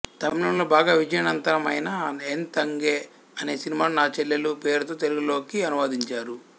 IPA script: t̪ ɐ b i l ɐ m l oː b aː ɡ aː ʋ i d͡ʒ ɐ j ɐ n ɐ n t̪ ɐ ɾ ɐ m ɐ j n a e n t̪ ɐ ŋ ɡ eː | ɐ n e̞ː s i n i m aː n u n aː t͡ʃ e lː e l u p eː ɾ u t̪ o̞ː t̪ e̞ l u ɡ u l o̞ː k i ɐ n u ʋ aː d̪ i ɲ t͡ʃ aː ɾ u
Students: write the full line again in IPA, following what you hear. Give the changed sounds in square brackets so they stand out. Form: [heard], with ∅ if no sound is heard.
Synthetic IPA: t̪ ɐ [m] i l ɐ m l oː b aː ɡ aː ʋ i d͡ʒ ɐ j ɐ n ɐ n t̪ ɐ ɾ ɐ m ɐ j n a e n t̪ ɐ ŋ ɡ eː | ɐ n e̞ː s i n i m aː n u n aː t͡ʃ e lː e l u p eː ɾ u t̪ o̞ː t̪ e̞ l u ɡ u l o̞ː k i ɐ n u ʋ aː d̪ i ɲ t͡ʃ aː ɾ u